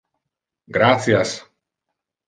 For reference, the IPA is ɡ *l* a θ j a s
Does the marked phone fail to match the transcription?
yes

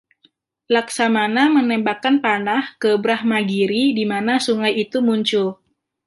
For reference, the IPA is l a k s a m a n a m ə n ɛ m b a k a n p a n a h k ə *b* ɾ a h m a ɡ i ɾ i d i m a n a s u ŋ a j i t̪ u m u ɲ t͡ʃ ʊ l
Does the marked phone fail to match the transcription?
no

